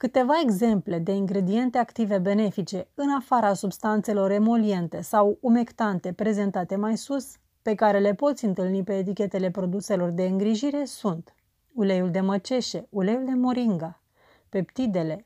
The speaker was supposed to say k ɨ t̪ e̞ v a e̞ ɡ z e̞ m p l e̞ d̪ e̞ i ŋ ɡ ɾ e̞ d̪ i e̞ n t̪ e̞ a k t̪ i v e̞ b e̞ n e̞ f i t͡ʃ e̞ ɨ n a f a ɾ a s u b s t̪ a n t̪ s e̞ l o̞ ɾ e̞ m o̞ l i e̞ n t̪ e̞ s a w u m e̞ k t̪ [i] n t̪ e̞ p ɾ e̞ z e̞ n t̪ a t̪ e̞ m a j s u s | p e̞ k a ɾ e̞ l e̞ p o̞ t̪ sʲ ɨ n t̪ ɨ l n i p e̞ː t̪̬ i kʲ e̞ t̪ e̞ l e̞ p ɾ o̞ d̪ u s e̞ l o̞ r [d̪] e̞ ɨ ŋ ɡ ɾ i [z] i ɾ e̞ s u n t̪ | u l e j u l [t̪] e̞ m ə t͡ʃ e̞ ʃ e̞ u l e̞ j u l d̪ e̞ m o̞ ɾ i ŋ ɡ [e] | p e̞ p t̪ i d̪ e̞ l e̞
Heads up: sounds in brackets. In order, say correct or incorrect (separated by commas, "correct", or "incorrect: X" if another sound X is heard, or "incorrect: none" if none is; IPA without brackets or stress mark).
incorrect: a, correct, incorrect: ʒ, incorrect: d̪, incorrect: a